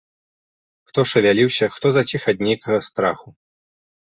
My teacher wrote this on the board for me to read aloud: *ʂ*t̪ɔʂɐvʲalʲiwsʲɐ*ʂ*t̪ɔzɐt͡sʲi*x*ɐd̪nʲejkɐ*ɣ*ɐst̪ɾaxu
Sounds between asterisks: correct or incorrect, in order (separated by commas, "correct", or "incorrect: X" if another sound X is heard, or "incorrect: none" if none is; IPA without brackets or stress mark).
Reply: incorrect: x, incorrect: x, correct, correct